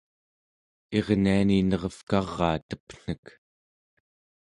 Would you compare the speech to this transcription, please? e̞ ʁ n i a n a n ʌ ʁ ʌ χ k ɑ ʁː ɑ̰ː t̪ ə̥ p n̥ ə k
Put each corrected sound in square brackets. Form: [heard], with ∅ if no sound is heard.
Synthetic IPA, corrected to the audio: e̞ ʁ n i a n [i] n ʌ ʁ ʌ [f] k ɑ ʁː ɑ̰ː t̪ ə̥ p n̥ ə k